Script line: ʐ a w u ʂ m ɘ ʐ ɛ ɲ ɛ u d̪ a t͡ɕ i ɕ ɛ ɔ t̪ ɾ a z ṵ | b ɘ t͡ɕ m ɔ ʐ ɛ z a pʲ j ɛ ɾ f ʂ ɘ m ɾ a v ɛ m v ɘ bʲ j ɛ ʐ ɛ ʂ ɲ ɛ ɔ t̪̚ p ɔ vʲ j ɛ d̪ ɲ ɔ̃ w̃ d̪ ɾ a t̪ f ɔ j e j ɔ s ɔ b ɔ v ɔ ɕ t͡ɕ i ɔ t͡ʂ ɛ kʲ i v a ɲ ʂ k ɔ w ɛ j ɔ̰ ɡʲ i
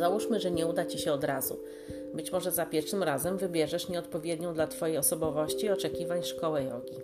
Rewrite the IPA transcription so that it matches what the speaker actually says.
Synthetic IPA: z a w u ʂ m ɘ ʐ ɛ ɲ ɛ u d̪ a t͡ɕ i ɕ ɛ ɔ d̪ ɾ a z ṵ | b ɘ t͡ɕ m ɔ ʐ ɛ z a pʲ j ɛ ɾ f ʂ ɘ m ɾ a z ɛ m v ɘ bʲ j ɛ ʐ ɛ ʂ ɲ ɛ ɔ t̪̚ p ɔ vʲ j ɛ d̪ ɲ ɔ̃ w̃ d̪ l a t̪ f ɔ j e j ɔ s ɔ b ɔ v ɔ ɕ t͡ɕ i ɔ t͡ʂ ɛ kʲ i v a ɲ ʂ k ɔ w ɛ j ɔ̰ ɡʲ i